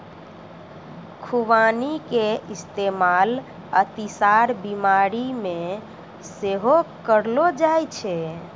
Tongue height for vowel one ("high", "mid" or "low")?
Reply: high